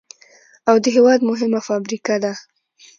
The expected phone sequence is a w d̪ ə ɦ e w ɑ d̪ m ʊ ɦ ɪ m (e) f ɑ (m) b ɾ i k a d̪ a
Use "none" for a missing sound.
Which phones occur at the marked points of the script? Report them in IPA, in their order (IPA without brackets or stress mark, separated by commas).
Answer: a, none